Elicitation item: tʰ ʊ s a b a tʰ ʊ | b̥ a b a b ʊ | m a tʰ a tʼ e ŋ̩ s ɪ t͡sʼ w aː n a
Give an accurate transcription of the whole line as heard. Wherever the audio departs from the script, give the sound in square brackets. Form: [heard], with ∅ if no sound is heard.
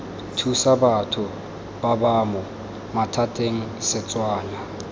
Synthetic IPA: tʰ [u] s a b a tʰ ʊ | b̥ a b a [m] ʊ | m a tʰ a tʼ e ŋ̩ s ɪ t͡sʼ w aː n a